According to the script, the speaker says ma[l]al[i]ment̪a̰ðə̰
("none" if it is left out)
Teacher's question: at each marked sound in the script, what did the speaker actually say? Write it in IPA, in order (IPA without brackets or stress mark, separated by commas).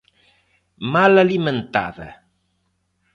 l, i